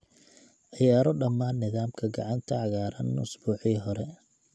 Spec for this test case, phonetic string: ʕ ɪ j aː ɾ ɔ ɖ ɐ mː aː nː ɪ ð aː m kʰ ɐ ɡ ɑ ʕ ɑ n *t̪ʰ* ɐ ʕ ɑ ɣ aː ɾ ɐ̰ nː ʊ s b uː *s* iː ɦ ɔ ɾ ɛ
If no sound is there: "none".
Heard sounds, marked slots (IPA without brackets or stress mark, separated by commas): t̪ʰ, ħ